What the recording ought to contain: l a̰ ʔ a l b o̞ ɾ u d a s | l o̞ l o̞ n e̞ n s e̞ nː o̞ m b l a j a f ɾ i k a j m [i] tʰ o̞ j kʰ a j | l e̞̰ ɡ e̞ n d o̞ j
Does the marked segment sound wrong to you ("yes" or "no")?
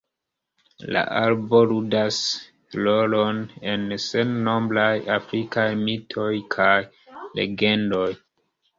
no